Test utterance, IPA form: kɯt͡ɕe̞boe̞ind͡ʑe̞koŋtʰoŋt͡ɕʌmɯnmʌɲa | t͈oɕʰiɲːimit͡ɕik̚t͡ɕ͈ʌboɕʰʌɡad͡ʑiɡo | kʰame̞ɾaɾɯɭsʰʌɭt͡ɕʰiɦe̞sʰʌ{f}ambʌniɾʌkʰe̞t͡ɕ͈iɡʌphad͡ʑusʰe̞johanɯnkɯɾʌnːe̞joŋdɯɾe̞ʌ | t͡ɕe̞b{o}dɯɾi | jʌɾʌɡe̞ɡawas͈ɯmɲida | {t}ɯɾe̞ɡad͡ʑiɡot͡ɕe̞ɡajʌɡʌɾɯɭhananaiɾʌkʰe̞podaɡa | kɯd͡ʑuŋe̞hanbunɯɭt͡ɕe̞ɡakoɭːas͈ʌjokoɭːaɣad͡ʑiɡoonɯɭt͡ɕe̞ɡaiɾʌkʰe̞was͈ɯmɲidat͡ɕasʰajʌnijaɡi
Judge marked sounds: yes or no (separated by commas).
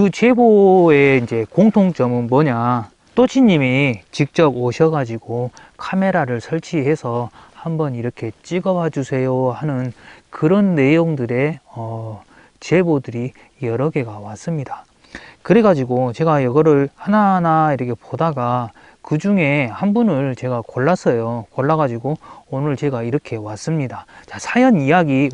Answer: no, yes, no